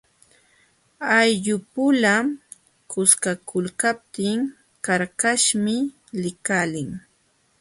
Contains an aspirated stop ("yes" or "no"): no